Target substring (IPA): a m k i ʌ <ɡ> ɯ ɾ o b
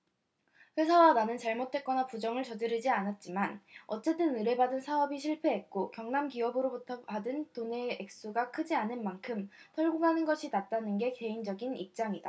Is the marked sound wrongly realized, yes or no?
yes